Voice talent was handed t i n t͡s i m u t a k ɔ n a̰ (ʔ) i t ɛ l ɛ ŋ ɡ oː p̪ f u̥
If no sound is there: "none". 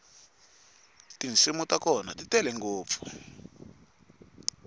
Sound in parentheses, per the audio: t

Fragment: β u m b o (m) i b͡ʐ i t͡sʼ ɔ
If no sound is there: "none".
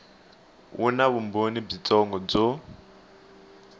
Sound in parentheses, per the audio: n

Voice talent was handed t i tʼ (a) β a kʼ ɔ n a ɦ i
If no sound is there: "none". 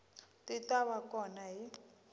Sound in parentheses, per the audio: a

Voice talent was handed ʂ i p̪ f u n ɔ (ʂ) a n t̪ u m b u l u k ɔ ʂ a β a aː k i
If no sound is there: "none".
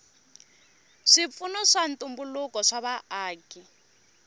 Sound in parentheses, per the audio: ʂ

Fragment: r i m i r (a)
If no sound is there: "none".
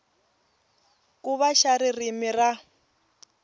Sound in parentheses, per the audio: a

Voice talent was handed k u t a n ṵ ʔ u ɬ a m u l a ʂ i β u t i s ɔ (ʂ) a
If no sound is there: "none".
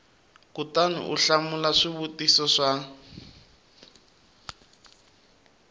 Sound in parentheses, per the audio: ʂ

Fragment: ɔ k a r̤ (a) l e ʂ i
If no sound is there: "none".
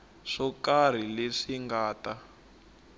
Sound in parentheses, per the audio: i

